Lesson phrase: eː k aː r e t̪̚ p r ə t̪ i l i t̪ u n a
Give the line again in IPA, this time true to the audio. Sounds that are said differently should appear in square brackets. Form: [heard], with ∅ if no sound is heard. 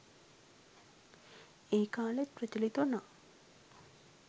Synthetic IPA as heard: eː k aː [l] e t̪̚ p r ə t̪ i l i t̪ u n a